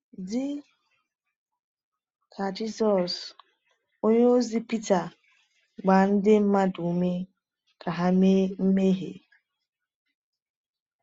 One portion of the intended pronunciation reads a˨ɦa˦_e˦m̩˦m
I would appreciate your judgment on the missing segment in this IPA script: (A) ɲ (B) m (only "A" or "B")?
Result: B